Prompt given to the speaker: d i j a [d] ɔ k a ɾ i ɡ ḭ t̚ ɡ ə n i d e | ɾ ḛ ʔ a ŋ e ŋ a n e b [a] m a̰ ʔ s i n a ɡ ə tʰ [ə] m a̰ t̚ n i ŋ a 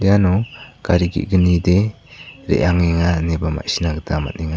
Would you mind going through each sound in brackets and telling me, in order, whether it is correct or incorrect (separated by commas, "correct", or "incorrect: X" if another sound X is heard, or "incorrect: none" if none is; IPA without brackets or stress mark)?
incorrect: n, correct, incorrect: a